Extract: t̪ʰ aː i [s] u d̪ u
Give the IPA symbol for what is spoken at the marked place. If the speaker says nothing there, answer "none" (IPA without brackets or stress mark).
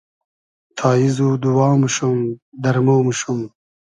z